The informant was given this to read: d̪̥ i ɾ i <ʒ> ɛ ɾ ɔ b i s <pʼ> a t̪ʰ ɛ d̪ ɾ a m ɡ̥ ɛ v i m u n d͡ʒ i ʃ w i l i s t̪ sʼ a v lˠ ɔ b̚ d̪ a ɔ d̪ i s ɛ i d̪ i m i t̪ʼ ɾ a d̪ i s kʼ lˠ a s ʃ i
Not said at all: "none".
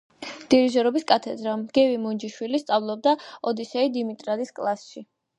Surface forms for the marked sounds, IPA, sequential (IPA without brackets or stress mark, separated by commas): ʒ, kʼ